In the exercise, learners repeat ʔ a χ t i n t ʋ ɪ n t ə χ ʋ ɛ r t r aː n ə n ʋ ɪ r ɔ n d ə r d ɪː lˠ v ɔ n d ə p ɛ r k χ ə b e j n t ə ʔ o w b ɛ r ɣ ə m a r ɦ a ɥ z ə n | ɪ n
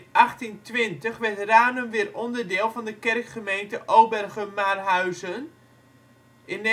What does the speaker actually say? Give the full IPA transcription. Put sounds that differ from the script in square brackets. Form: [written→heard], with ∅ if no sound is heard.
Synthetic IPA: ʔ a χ t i n t ʋ ɪ n t ə χ ʋ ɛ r t r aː n ə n ʋ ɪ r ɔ n d ə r d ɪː lˠ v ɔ n d ə [p→k] ɛ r k χ ə [b→m] e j n t ə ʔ o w b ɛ r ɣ ə m a r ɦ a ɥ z ə n | ɪ n

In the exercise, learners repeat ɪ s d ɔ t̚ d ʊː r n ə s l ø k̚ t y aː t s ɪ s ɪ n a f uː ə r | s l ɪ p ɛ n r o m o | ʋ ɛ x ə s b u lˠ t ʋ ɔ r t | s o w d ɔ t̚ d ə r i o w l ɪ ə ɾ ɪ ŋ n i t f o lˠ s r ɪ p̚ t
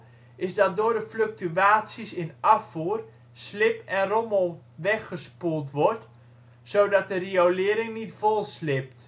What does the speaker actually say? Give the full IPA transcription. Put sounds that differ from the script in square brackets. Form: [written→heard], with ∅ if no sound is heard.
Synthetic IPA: ɪ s d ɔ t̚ d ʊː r [n→d] ə [s→f] l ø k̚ t y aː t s [ɪ→i] s ɪ n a f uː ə r | s l ɪ p ɛ n r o m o | ʋ ɛ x ə s [b→p] u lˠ t ʋ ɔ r t | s o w d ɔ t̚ d ə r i o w l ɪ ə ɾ ɪ ŋ n i t f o lˠ s [r→l] ɪ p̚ t

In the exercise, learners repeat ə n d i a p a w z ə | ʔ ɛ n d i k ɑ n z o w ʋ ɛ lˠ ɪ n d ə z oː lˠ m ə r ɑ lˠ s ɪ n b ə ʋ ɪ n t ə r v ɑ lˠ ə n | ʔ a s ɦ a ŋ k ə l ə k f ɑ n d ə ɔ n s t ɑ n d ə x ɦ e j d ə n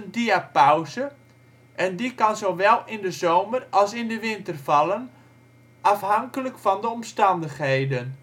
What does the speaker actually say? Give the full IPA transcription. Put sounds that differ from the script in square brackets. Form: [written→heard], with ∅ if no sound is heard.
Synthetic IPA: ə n d i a p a w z ə | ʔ ɛ n d i k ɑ n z o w ʋ ɛ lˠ ɪ n d ə z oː [lˠ→∅] m ə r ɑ lˠ s ɪ n [b→d] ə ʋ ɪ n t ə r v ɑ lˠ ə n | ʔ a [s→f] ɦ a ŋ k ə l ə k f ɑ n d ə ɔ [n→m] s t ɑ n d ə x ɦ e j d ə n

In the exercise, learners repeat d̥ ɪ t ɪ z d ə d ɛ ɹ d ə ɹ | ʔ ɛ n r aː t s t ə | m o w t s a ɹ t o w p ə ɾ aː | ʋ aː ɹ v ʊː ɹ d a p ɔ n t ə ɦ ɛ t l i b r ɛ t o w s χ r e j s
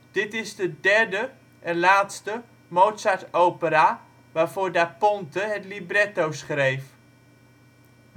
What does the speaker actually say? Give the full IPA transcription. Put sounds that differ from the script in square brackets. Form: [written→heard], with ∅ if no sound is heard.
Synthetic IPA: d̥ ɪ t ɪ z d ə d ɛ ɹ d ə [ɹ→∅] | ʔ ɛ n [r→l] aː t s t ə | m o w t s a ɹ t o w p ə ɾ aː | ʋ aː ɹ v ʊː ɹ d a p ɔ n t ə ɦ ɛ t l i b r ɛ t o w s χ r e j [s→f]

